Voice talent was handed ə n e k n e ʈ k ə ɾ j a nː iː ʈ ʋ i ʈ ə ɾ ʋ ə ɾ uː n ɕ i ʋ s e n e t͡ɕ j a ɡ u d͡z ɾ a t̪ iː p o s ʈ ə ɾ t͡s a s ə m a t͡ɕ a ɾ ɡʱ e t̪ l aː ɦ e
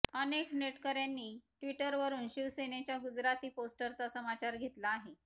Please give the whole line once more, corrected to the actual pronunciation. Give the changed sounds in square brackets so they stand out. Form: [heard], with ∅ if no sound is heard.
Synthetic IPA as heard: ə n e k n e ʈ k ə ɾ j a nː iː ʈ ʋ i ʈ ə ɾ ʋ ə ɾ uː n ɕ i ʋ s e n e t͡ɕ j a ɡ u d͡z ɾ a t̪ iː p o s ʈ ə ɾ t͡s a s ə m a t͡ɕ a ɾ ɡʱ e t̪ l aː ɦ e